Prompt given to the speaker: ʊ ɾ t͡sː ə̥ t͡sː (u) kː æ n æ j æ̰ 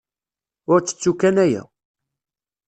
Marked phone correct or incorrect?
correct